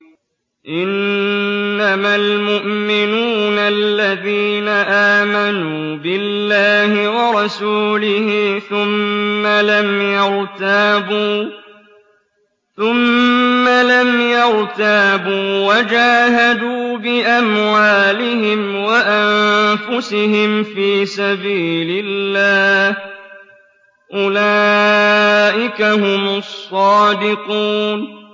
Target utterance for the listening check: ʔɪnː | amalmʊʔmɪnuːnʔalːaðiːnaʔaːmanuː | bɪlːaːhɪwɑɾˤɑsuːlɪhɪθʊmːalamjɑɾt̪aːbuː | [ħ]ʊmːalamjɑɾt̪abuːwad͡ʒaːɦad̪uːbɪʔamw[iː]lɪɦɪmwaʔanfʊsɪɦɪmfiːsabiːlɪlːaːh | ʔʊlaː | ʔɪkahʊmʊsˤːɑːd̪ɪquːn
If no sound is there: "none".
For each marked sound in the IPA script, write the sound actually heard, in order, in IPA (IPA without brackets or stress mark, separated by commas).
θ, aː